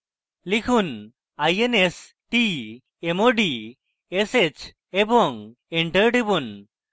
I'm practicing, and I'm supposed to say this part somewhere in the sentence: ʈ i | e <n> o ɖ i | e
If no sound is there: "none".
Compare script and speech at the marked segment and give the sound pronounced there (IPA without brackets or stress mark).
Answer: m